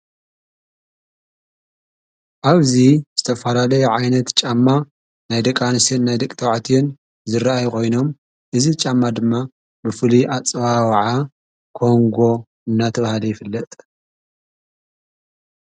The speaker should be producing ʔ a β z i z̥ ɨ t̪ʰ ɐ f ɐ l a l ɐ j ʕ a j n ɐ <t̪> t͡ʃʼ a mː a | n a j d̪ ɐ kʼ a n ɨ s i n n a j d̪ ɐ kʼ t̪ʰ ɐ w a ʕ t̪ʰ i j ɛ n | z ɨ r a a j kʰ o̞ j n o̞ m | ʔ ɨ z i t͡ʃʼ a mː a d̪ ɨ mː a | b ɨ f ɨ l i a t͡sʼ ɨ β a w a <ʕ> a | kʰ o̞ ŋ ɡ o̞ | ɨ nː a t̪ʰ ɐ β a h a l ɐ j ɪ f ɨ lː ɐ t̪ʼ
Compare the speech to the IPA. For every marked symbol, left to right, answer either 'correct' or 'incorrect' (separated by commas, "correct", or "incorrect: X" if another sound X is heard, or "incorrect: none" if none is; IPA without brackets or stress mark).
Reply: correct, correct